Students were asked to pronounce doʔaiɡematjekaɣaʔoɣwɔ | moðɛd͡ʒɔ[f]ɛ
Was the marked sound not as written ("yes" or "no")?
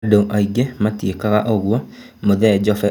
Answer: no